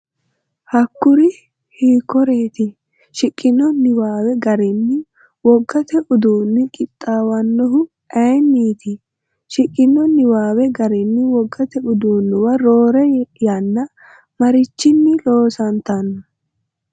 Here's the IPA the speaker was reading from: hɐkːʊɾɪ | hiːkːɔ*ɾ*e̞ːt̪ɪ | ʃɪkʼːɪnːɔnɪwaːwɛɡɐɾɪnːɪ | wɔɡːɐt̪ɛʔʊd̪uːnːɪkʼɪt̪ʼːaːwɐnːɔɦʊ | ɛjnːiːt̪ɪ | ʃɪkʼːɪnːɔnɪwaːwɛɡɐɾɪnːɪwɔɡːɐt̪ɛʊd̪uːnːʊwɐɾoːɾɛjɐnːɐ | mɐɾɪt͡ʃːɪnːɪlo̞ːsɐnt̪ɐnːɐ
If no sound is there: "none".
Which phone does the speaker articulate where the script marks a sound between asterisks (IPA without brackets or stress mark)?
ɾ